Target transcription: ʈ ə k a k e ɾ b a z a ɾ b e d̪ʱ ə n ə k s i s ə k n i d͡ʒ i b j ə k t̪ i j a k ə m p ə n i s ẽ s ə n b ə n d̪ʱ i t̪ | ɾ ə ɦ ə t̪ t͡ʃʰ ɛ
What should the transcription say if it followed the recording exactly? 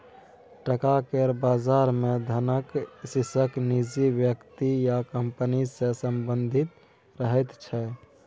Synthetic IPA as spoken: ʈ ə k a k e ɾ b a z a ɾ m e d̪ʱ ə n ə k s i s ə k n i d͡ʒ i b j ə k t̪ i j a k ə m p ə n i s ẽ s ə m b ə n d̪ʱ i t̪ | ɾ ə ɦ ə t̪ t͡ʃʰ ɛ